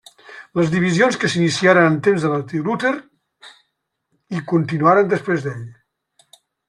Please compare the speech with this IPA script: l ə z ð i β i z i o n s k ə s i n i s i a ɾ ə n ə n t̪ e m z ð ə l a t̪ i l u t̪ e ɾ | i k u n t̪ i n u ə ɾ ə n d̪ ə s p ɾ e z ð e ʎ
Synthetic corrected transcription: l ə z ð i β i z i o n s k ə s i n i s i a ɾ ə n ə n t̪ e m z ð ə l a t̪ i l u t̪ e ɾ | i k u n t̪ i n u a ɾ ə n d̪ ə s p ɾ e z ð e ʎ